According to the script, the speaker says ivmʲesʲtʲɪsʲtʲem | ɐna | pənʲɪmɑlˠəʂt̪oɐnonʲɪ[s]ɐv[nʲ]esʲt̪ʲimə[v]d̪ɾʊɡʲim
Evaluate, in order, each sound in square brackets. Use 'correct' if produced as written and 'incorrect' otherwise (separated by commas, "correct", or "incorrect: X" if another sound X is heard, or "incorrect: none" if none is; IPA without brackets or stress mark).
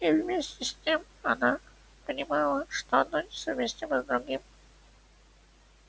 correct, incorrect: mʲ, incorrect: z